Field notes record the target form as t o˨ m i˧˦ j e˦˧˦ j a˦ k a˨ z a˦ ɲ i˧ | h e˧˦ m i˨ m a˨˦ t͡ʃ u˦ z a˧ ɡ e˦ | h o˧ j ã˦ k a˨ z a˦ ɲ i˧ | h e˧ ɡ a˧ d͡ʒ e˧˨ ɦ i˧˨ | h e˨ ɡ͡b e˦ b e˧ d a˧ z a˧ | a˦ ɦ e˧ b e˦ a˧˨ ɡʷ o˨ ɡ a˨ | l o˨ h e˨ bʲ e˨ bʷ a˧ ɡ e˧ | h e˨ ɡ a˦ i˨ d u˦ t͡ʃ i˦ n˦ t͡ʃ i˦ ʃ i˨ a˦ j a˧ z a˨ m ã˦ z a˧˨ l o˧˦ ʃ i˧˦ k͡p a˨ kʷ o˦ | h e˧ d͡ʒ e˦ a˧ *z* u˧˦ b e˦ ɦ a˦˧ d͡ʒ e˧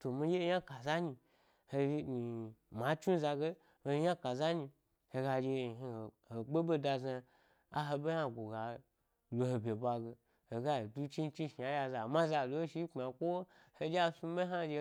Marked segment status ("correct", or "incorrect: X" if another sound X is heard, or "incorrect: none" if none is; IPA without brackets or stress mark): incorrect: s